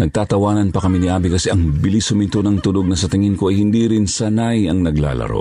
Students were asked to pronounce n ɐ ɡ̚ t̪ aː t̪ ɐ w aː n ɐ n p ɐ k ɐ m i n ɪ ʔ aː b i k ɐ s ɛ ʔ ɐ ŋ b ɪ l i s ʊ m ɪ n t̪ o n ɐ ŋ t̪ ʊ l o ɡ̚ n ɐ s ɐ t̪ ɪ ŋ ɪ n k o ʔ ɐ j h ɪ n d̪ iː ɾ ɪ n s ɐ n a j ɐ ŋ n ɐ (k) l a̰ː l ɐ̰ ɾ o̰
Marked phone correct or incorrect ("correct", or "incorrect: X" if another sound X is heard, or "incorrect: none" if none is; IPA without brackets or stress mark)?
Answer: incorrect: ɡ